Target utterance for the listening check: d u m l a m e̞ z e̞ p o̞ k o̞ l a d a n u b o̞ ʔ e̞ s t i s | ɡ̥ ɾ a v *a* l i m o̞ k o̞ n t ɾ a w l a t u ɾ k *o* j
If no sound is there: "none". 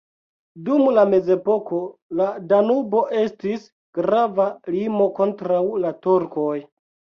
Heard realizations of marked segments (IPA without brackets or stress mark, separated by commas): a, o